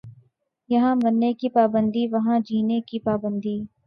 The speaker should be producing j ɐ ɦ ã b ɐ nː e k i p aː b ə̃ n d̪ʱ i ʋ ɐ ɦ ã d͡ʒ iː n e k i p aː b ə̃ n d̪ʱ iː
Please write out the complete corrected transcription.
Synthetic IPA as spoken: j ɐ ɦ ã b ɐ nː e k i p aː b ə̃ n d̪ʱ i ʋ ɐ ɦ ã d͡ʒ iː n e k i p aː b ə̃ n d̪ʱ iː